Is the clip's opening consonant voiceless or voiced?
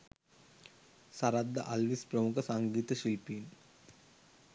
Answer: voiceless